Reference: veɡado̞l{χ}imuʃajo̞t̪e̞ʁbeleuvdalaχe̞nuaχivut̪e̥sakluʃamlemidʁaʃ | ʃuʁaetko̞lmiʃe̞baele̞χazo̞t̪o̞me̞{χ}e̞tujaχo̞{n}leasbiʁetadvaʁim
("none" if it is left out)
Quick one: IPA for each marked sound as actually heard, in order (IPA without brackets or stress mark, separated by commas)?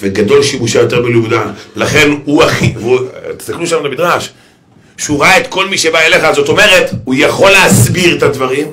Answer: ʃ, ʁ, none